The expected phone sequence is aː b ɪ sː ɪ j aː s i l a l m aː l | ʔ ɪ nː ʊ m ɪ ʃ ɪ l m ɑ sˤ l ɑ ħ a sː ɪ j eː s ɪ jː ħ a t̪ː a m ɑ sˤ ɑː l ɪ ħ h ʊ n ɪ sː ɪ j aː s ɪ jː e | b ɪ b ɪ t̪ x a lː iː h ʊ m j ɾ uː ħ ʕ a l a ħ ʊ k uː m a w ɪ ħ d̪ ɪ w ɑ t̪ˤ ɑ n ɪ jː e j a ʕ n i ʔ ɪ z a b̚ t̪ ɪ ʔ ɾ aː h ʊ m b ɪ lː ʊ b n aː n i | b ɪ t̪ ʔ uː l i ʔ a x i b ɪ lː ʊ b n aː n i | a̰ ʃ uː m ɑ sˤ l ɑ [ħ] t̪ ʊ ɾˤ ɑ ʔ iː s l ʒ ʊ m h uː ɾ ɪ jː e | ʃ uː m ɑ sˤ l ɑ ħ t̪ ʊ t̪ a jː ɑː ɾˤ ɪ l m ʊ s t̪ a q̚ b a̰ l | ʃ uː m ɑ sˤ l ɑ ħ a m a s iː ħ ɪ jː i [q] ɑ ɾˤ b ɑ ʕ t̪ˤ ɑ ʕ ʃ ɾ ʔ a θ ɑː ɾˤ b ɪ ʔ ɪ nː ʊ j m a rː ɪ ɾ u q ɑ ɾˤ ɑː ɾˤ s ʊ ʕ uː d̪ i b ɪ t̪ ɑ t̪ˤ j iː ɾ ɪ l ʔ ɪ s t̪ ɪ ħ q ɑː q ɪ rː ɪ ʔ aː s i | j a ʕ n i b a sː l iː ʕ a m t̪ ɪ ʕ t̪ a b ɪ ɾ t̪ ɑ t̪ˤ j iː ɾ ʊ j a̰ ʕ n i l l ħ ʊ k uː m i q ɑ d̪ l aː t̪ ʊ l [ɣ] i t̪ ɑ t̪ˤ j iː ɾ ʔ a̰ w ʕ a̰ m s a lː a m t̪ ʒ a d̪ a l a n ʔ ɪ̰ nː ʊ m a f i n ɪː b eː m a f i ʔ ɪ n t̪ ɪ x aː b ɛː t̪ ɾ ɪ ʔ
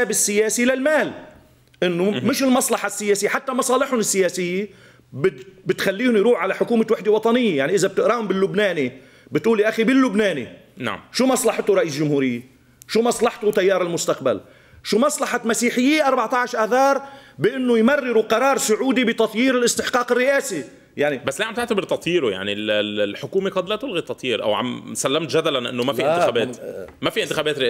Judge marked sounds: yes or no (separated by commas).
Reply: yes, no, yes